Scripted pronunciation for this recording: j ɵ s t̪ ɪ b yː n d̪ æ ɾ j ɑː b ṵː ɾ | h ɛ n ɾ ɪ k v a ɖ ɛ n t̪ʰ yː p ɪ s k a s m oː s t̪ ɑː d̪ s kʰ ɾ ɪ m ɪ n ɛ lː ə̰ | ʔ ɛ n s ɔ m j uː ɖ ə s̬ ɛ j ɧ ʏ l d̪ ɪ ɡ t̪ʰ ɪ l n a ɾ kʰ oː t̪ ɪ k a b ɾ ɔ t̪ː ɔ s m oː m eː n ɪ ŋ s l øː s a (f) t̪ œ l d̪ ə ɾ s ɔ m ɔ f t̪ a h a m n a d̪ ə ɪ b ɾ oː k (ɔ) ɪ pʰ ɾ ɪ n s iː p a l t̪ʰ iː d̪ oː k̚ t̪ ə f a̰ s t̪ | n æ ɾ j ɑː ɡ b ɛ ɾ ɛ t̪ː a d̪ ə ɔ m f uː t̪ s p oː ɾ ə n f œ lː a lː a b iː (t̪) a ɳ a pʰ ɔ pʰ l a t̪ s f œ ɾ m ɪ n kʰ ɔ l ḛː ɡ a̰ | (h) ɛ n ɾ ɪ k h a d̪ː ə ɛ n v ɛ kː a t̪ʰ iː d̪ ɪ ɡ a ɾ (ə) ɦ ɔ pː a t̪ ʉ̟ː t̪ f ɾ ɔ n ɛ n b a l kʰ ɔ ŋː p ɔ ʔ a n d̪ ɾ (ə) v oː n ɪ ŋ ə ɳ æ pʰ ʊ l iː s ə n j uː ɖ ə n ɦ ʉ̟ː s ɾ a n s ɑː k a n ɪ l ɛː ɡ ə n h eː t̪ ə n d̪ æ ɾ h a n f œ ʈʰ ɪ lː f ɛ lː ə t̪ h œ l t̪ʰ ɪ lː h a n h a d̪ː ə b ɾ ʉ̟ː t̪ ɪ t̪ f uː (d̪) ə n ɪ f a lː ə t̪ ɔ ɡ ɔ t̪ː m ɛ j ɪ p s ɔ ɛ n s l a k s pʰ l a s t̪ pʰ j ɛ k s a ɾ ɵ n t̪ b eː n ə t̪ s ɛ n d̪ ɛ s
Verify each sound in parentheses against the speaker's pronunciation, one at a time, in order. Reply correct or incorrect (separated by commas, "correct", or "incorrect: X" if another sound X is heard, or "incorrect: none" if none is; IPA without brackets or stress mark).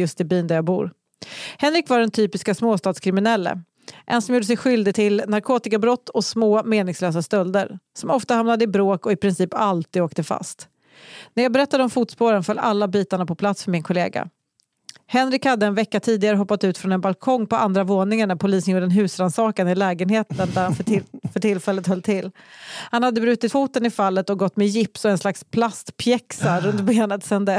incorrect: s, correct, correct, correct, correct, incorrect: a, incorrect: t̪